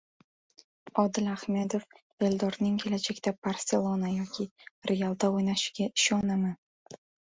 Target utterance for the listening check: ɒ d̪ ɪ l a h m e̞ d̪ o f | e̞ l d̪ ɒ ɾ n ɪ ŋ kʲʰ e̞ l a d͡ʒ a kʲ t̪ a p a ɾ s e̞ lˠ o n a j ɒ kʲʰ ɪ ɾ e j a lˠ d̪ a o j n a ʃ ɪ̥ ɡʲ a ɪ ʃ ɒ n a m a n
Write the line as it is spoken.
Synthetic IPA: ɒ d̪ ɪ l a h m e̞ d̪ o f | e̞ l d̪ ɒ ɾ n ɪ ŋ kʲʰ e̞ l a d͡ʒ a kʲ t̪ a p a ɾ s e̞ lˠ o n a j ɒ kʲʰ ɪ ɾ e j a lˠ d̪ a o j n a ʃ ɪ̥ ɡʲ a ɪ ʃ ɒ n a m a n